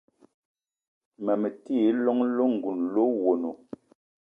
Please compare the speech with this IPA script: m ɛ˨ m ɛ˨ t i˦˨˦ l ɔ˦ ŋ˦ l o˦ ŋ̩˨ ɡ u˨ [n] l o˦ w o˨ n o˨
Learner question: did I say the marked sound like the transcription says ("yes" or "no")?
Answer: yes